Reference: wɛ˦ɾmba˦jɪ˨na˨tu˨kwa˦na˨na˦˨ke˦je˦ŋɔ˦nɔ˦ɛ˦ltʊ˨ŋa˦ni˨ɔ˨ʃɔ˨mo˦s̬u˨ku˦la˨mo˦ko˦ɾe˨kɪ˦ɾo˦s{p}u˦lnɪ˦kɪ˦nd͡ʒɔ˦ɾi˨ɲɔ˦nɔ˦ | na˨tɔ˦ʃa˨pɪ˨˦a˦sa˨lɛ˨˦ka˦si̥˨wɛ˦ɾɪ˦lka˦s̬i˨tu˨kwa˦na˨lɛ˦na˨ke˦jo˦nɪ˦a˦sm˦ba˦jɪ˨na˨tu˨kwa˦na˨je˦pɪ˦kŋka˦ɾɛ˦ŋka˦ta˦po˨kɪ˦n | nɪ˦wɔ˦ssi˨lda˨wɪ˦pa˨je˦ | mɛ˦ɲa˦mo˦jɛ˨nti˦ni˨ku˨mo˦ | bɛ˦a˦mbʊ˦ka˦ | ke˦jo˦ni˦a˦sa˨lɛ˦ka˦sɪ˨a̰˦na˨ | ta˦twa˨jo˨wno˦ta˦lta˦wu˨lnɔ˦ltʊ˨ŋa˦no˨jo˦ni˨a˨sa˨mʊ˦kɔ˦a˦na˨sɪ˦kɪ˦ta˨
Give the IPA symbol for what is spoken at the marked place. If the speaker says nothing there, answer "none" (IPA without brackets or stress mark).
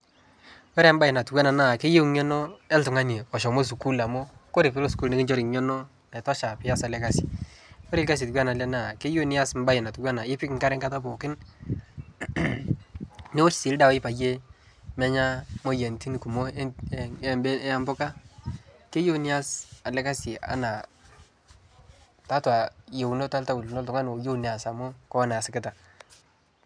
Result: k